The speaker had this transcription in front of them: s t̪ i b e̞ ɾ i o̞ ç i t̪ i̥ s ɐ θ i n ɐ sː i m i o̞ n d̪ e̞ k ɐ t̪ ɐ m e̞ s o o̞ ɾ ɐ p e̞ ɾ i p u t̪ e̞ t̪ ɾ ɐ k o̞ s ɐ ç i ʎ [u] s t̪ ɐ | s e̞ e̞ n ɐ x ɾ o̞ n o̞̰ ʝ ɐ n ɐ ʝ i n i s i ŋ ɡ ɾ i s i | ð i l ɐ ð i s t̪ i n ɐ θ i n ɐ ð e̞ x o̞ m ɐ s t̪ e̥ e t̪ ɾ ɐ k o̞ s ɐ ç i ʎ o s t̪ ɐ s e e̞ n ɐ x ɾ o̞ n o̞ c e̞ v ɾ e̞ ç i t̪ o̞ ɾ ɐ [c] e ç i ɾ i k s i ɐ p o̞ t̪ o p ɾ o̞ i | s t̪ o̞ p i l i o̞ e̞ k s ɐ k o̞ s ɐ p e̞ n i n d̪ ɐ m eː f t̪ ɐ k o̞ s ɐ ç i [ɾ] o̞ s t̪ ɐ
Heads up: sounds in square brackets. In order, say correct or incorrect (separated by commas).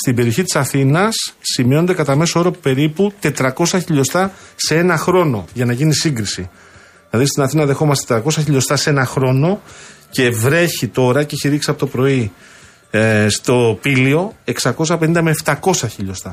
incorrect, correct, incorrect